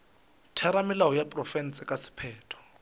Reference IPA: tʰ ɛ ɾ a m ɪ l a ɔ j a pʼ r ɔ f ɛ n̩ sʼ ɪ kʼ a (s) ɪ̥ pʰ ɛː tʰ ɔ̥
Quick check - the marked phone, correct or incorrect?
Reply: correct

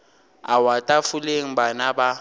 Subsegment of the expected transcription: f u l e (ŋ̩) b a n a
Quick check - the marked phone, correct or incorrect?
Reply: correct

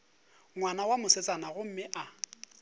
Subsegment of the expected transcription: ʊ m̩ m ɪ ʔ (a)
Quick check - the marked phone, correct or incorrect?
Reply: correct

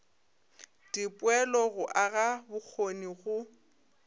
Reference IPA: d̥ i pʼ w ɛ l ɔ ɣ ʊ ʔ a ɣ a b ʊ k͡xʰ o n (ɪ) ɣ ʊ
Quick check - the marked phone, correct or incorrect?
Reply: incorrect: i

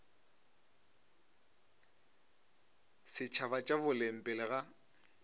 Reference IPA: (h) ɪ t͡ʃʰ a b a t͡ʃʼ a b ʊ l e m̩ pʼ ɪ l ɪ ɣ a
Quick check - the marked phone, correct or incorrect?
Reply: incorrect: s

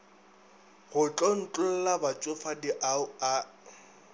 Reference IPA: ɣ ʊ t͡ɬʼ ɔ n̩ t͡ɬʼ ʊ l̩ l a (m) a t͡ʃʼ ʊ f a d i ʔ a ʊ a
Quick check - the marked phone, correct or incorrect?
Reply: incorrect: b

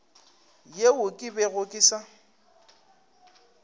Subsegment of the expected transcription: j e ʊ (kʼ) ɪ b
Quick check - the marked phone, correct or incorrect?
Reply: correct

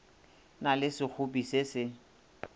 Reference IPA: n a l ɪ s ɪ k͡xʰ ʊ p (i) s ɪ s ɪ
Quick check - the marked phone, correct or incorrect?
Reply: correct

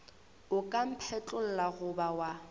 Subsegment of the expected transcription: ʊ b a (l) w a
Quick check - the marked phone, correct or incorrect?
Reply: incorrect: none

